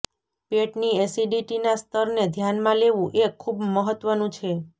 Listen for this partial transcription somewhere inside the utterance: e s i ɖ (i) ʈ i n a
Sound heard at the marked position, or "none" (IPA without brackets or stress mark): i